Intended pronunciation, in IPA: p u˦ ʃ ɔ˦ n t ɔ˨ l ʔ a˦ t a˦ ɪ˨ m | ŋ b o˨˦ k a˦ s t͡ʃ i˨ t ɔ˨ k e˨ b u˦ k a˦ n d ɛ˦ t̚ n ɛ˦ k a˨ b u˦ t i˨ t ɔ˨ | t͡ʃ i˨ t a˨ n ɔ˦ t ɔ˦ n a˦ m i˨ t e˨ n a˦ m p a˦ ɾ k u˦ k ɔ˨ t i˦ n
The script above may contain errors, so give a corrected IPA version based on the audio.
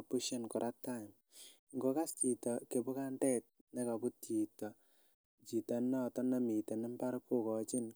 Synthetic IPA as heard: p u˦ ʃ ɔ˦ n k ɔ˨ ɾ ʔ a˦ t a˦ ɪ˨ m | ŋ ɡ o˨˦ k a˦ s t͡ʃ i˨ t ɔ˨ k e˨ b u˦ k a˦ n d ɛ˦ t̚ n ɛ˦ k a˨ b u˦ t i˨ t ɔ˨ | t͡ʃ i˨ t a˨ n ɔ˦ t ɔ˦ n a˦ m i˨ t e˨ n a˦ m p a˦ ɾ k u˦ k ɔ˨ t͡ʃ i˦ n

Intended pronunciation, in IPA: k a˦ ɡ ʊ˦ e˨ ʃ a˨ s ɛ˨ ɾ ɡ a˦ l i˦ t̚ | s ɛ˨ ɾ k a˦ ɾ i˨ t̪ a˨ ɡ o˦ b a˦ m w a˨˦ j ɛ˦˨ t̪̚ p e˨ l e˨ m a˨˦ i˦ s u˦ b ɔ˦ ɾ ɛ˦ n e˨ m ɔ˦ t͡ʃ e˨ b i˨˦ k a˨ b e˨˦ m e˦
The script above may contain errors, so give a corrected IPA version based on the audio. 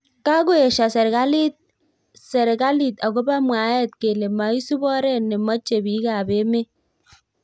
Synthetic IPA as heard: k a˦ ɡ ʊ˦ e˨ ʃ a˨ s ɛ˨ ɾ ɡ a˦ l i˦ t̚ | s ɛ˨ ɾ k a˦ l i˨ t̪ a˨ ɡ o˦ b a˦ m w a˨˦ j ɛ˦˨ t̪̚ k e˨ l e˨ m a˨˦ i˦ s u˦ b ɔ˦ ɾ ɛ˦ n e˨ m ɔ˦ t͡ʃ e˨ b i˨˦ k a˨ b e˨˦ m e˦

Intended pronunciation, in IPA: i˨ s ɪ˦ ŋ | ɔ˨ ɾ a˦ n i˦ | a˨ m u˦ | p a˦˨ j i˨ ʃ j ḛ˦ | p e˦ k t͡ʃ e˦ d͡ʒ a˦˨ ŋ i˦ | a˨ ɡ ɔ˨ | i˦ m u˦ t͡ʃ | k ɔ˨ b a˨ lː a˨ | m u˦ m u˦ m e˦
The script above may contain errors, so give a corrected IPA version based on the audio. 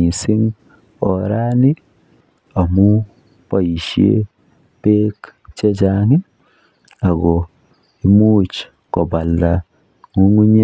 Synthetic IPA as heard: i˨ s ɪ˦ ŋ | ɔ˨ ɾ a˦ n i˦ | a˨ m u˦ | p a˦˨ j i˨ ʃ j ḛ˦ | p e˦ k t͡ʃ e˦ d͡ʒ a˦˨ ŋ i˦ | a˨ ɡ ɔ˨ | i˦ m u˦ t͡ʃ | k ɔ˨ b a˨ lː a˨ | ŋ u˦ ŋ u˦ ɲ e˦

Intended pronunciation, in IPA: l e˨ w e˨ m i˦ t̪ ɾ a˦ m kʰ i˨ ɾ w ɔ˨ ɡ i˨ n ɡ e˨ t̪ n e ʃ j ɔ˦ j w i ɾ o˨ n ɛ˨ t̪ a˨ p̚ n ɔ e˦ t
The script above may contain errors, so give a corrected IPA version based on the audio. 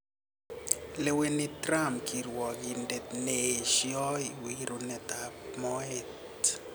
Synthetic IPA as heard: l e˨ w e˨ n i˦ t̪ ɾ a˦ m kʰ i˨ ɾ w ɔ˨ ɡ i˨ n d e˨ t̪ n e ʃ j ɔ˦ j w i ɾ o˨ n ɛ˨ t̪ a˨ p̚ m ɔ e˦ t

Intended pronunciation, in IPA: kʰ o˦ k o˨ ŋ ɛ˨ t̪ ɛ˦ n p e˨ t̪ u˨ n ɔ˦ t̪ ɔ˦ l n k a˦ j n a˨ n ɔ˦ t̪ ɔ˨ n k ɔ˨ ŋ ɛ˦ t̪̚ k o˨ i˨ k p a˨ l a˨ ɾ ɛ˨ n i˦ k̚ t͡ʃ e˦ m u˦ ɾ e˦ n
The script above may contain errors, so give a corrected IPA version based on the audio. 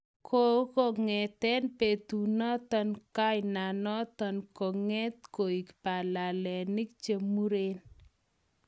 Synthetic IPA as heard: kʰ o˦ k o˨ ŋ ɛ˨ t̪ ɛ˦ n p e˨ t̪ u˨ n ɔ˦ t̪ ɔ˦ n k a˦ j n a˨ n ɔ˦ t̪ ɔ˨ n k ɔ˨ ŋ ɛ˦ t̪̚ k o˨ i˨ k p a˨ l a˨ l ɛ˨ n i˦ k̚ t͡ʃ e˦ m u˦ ɾ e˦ n

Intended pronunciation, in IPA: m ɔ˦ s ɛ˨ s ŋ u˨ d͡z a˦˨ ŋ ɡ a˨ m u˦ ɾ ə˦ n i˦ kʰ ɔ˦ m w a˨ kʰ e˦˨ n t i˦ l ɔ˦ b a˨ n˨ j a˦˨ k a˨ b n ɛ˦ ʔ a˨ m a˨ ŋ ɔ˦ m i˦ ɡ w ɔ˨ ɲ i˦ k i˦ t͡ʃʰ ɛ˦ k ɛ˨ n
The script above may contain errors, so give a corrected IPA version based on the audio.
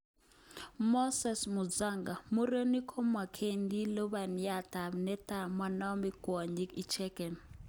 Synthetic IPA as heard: m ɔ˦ s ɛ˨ s m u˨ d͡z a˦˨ ŋ ɡ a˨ m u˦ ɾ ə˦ n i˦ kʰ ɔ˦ m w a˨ kʰ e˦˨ n d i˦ l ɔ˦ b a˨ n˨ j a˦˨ t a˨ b n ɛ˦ t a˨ m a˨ n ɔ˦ m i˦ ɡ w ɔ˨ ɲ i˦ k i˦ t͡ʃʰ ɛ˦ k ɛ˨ n

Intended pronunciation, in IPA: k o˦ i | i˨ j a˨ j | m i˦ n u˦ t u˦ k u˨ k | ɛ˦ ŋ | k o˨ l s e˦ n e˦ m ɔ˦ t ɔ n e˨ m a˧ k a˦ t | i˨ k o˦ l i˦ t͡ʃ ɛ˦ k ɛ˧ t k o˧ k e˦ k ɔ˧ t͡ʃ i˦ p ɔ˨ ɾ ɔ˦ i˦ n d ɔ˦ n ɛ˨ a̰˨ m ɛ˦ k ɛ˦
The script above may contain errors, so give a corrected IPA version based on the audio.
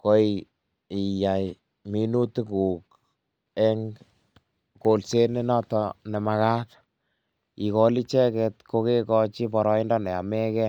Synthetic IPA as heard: k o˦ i | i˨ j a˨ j | m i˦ n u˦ t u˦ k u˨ k | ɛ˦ ŋ | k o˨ l s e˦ n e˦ n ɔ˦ t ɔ n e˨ m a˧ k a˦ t | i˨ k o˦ l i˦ t͡ʃ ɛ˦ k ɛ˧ t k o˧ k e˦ k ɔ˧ t͡ʃ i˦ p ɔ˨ ɾ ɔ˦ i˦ n d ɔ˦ n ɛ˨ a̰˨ m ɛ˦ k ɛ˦

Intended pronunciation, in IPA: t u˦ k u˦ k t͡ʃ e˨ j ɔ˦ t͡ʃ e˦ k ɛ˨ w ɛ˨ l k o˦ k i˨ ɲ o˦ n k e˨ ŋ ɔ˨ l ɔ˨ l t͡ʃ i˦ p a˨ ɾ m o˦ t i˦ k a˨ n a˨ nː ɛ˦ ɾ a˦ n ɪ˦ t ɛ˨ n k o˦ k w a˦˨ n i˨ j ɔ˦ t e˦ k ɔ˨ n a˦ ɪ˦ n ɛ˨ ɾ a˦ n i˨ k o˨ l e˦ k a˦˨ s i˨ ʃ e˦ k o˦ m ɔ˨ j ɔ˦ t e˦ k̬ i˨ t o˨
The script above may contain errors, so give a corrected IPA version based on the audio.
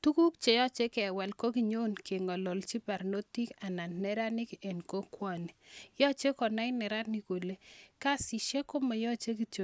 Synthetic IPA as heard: t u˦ k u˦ k t͡ʃ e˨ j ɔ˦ t͡ʃ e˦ k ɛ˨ w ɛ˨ l k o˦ k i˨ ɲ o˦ n k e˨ ŋ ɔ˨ l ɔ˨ l t͡ʃ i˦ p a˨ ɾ n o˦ t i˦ k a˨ n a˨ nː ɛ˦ ɾ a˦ n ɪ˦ k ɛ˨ n k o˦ k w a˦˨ n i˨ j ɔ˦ t͡ʃ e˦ k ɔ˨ n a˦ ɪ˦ n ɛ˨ ɾ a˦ n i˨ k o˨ l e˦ k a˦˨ s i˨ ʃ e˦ k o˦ m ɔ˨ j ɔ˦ t͡ʃ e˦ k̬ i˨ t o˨

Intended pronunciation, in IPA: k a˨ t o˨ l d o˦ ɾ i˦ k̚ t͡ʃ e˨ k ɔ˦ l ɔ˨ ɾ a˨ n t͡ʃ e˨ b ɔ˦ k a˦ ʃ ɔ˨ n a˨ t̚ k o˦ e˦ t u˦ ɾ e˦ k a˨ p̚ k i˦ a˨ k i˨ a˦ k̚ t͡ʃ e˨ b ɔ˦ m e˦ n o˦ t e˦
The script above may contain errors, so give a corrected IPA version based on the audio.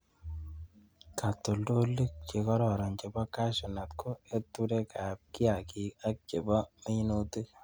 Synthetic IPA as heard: k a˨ t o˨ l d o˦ l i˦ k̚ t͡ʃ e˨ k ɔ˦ ɾ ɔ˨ ɾ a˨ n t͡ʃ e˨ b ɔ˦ k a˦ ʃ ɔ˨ n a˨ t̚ k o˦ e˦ t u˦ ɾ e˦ k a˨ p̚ k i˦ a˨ k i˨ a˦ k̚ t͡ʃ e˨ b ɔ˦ m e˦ n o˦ t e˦

